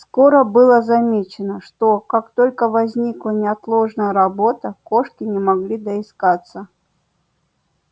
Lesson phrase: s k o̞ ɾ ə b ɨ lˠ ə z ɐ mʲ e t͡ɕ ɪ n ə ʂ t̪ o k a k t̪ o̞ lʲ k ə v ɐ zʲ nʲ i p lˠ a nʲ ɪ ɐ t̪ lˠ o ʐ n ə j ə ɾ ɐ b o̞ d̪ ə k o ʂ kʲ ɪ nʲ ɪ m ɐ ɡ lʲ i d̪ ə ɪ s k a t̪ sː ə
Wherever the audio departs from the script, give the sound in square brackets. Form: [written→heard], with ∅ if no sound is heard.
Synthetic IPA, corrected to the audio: s k o̞ ɾ ə b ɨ lˠ ə z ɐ mʲ e t͡ɕ ɪ n ə ʂ t̪ o k a k t̪ o̞ lʲ k ə v ɐ zʲ nʲ i [p→k] lˠ [a→ə] nʲ ɪ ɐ t̪ lˠ o ʐ n ə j ə ɾ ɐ b o̞ [d̪→t̪] ə k o ʂ kʲ ɪ nʲ ɪ m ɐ ɡ lʲ i d̪ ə ɪ s k a t̪ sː ə